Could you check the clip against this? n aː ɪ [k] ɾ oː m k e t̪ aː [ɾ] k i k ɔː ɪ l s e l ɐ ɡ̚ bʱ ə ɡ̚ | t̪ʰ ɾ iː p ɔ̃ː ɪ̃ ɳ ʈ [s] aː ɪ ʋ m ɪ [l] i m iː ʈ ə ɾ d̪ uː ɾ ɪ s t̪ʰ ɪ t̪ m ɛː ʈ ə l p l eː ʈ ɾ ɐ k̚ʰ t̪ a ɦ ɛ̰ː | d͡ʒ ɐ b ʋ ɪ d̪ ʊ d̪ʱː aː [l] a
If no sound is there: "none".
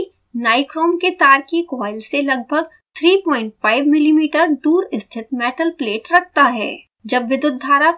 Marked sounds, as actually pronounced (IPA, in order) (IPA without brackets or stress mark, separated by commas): k, ɾ, f, l, ɾ